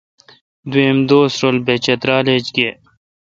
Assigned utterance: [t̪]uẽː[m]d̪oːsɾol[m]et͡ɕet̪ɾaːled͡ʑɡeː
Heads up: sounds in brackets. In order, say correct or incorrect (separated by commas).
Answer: incorrect, correct, incorrect